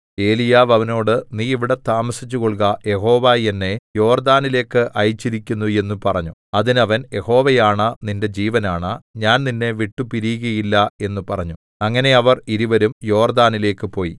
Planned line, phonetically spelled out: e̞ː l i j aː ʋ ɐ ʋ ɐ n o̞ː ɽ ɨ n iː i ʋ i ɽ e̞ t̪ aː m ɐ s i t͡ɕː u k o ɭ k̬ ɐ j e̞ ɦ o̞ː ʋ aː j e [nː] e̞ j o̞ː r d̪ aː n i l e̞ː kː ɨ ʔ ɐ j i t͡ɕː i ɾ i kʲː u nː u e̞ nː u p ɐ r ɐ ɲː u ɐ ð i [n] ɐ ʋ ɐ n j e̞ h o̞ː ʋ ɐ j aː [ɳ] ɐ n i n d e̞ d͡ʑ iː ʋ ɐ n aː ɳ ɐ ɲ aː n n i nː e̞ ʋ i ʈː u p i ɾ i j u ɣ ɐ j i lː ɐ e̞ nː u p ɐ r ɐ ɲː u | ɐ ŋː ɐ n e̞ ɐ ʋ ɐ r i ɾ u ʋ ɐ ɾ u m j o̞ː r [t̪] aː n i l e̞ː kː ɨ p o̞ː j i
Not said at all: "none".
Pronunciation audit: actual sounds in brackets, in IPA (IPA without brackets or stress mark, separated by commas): nː, n, ɳ, d̪